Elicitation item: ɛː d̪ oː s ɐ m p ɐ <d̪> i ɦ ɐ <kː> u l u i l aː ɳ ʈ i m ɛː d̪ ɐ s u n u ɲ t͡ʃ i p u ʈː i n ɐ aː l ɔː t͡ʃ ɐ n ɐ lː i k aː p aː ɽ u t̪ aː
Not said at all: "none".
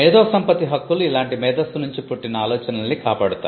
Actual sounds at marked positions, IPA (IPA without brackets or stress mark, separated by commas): t̪, kː